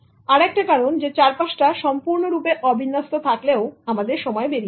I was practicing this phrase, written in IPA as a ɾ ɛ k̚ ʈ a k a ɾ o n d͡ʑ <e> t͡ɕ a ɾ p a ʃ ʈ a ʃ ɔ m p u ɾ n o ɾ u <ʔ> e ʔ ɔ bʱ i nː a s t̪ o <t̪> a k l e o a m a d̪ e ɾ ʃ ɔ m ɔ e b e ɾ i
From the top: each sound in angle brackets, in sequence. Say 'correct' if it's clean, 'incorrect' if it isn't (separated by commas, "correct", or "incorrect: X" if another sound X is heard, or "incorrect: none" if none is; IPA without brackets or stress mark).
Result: correct, incorrect: p, incorrect: t̪ʰ